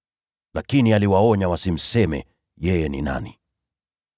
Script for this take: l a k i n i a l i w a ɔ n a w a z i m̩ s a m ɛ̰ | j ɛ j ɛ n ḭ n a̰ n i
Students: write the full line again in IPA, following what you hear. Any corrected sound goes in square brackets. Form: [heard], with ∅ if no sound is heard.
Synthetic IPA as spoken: l a k i n i a l i w a ɔ [ɲ] a w a [s] i m̩ s [ɛ] m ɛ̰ | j ɛ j ɛ n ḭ n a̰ n i